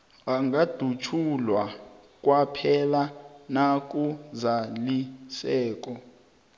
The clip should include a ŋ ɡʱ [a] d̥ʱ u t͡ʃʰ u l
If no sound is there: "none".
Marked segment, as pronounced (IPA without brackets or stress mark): a